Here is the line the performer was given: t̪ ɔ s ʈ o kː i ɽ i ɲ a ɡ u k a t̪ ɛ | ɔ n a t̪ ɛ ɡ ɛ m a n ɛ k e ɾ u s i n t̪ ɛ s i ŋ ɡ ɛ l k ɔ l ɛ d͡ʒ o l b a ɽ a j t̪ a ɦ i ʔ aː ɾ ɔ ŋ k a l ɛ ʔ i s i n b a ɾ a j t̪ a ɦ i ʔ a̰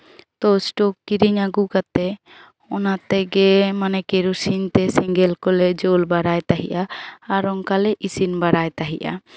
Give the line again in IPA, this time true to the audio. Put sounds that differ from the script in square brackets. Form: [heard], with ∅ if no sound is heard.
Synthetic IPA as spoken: t̪ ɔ s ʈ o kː i [ɾ] i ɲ a ɡ u k a t̪ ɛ | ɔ n a t̪ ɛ ɡ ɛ m a n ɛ k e ɾ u s i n t̪ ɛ s i ŋ ɡ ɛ l k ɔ l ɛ d͡ʒ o l b a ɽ a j t̪ a ɦ i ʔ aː ɾ ɔ ŋ k a l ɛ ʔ i s i n b a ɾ a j t̪ a ɦ i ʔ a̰